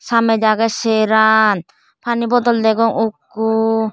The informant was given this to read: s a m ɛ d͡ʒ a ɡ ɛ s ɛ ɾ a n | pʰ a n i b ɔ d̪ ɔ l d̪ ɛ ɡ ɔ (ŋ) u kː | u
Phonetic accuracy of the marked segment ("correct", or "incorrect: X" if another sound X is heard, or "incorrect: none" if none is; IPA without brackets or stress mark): correct